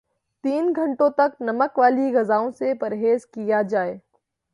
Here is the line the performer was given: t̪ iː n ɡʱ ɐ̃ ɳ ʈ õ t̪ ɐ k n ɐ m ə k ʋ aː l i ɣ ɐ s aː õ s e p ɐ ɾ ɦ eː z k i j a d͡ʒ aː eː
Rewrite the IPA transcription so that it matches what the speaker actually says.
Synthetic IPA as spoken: t̪ iː n ɡʱ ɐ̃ ɳ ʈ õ t̪ ɐ k n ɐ m ə k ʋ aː l i ɣ ɐ z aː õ s e p ɐ ɾ ɦ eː z k i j a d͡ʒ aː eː

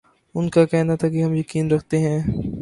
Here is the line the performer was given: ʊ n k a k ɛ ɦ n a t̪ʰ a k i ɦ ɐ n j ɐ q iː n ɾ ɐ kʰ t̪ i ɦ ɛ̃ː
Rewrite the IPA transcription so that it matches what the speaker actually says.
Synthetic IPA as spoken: ʊ n k a k ɛ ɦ n a t̪ʰ a k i ɦ ɐ m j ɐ k iː n ɾ ɐ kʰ t̪ e ɦ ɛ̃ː

